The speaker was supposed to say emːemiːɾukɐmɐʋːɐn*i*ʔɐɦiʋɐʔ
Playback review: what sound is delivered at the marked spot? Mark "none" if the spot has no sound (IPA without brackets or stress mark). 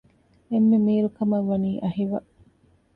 iː